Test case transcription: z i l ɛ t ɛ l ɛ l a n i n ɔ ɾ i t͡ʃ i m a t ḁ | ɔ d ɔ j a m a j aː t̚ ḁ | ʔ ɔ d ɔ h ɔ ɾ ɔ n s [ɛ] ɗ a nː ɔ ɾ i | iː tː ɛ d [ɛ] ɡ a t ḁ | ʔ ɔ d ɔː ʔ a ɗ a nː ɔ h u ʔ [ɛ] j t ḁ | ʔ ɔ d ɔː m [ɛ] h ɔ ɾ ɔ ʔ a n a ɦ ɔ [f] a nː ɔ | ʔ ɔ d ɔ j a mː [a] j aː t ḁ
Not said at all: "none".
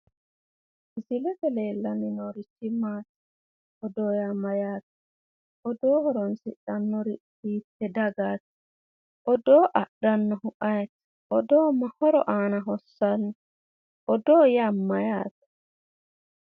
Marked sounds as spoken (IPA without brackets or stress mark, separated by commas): i, a, a, a, s, a